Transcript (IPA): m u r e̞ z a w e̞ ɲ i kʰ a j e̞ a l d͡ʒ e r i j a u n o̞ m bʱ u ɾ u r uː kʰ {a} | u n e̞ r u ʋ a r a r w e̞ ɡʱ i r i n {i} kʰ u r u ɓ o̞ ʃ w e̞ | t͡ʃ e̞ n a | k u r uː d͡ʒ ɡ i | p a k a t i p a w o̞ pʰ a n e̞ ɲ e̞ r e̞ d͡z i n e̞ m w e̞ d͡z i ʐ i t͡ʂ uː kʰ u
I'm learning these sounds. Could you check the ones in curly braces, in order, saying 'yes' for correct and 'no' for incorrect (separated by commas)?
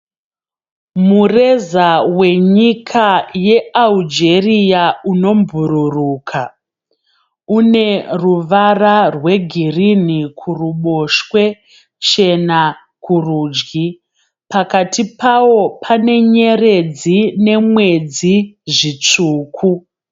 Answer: yes, yes